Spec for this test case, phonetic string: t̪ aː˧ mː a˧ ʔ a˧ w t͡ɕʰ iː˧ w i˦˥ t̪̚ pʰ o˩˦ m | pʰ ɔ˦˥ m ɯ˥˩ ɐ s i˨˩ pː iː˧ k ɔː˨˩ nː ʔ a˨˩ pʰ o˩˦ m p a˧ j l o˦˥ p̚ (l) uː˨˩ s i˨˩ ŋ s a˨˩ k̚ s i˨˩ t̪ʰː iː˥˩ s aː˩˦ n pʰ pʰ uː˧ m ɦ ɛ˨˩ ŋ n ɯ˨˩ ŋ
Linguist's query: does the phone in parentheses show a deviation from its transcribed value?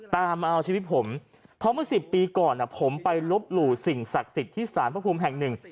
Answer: no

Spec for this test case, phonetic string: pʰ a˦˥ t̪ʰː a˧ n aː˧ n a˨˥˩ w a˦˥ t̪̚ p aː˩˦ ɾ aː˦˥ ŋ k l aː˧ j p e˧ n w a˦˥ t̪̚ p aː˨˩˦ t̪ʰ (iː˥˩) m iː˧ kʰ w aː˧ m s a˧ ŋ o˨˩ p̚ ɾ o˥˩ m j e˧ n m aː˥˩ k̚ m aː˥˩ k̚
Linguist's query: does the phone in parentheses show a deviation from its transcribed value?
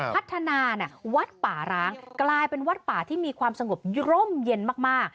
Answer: no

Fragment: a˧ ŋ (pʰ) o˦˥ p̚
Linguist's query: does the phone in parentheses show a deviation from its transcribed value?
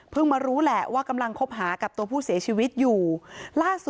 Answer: yes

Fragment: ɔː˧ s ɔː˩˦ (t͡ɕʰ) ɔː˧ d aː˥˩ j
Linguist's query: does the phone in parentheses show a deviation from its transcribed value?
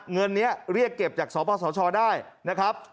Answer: no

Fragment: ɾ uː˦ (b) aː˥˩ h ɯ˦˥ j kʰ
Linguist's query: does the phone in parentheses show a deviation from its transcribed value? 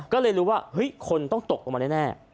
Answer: yes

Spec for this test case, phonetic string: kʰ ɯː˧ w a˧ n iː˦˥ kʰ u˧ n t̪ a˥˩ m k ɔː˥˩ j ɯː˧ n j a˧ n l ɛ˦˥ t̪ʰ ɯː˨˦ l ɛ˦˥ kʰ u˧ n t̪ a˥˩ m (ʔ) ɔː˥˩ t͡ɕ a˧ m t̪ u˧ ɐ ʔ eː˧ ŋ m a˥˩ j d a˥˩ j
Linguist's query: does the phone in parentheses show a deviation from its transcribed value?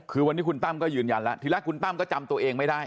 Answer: yes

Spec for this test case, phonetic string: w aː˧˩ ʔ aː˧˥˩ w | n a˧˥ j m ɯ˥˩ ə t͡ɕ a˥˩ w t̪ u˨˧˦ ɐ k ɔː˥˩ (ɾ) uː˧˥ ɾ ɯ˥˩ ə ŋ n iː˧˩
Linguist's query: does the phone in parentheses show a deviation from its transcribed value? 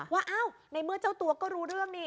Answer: no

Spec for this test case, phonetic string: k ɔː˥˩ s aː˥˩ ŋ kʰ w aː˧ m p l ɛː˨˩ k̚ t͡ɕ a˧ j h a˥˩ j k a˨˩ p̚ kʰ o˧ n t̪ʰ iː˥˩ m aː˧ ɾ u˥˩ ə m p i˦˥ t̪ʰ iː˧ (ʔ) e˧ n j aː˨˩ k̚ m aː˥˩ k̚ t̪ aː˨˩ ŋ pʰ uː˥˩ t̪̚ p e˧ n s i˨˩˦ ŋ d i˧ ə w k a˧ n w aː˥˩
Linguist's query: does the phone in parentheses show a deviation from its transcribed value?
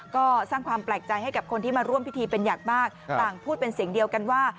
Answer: yes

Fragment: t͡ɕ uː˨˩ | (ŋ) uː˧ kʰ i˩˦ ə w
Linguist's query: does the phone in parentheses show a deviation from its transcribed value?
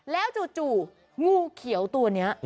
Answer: no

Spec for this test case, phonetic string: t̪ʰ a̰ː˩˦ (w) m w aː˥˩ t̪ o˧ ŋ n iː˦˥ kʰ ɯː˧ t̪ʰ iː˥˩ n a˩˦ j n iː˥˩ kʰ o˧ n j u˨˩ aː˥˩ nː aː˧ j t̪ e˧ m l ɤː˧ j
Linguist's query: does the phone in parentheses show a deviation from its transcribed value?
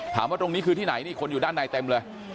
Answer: yes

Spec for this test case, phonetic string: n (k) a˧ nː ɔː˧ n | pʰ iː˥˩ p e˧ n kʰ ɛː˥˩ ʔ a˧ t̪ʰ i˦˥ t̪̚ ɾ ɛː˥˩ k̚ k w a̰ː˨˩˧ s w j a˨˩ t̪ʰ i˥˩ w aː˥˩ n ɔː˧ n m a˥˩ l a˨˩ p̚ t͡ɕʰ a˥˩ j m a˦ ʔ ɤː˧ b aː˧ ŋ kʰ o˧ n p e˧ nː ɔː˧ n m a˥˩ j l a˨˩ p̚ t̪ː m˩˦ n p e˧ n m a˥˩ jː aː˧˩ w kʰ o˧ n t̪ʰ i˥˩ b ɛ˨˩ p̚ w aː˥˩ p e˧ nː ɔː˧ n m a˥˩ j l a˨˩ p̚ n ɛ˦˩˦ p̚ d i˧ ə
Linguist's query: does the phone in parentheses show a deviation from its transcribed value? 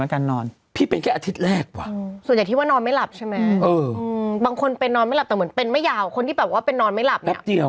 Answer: no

